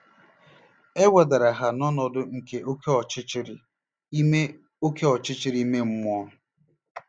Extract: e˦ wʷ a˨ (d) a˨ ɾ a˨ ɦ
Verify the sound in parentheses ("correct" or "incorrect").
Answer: correct